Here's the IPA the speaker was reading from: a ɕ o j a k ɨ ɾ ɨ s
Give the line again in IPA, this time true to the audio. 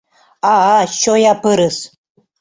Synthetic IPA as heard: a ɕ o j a p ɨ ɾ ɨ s

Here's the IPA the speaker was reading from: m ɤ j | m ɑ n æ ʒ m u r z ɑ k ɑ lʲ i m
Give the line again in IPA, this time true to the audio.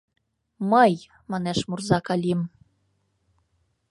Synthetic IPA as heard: m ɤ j | m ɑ n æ ʃ m u r z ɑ k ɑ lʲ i m

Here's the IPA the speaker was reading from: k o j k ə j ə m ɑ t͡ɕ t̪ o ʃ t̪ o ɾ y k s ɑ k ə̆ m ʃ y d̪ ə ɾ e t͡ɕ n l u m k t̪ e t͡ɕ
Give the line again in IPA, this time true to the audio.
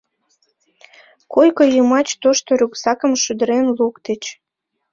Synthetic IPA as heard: k o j k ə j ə m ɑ t͡ɕ t̪ o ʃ t̪ o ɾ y k s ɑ k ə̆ m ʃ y d̪ ə ɾ e n l u k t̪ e t͡ɕ

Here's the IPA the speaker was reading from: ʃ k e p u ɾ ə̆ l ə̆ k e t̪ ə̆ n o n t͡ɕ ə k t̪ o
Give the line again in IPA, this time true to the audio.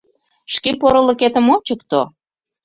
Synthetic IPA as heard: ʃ k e p o ɾ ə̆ l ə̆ k e t̪ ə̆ m o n t͡ɕ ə k t̪ o

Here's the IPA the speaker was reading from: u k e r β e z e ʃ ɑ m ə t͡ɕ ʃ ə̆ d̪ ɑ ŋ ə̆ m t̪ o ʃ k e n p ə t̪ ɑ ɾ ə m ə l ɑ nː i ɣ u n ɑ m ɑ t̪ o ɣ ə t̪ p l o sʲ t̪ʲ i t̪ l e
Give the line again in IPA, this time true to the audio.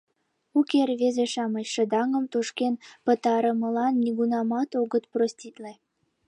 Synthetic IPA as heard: u k e r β e z e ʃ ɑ m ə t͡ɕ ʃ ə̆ d̪ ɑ ŋ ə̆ m t̪ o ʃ k e n p ə t̪ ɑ ɾ ə m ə l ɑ nː i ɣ u n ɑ m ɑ t̪ o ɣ ə t̪ p r o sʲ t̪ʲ i t̪ l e

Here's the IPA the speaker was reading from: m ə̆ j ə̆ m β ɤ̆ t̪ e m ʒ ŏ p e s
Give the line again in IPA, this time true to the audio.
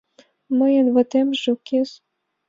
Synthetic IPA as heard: m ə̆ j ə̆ n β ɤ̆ t̪ e m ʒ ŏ k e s

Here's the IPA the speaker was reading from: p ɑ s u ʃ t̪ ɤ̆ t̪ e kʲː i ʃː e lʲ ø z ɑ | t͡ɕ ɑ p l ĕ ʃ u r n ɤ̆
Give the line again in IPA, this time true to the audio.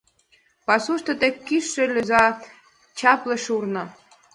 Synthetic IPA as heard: p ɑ s u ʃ t̪ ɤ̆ t̪ e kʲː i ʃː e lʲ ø z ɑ | t͡ɕ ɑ p l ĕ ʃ u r n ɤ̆

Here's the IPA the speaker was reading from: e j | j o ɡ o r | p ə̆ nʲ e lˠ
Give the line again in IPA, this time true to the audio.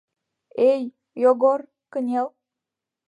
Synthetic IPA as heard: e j | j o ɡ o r | k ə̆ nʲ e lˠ

